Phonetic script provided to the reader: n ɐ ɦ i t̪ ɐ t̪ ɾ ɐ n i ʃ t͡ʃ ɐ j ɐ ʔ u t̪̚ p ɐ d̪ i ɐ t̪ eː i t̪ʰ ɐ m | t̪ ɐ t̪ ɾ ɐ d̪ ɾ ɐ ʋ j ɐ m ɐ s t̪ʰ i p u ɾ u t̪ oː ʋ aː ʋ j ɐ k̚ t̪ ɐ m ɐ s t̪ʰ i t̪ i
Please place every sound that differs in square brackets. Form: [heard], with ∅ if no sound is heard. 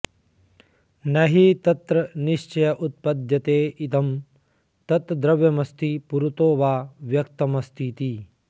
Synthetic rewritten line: n ɐ ɦ i t̪ ɐ t̪ ɾ ɐ n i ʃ t͡ʃ ɐ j ɐ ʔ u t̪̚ p ɐ d̪ [j] ɐ t̪ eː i [t̪] ɐ m | t̪ ɐ t̪ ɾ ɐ d̪ ɾ ɐ ʋ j ɐ m ɐ s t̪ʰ i p u ɾ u t̪ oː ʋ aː ʋ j ɐ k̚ t̪ ɐ m ɐ s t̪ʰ i t̪ i